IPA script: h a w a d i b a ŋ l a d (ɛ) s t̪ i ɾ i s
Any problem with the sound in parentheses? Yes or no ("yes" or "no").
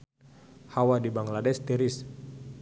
no